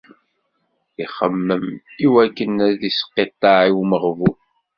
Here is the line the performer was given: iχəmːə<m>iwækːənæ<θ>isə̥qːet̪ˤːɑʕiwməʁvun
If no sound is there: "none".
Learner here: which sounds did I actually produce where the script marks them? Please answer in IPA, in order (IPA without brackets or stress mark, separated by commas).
m, ð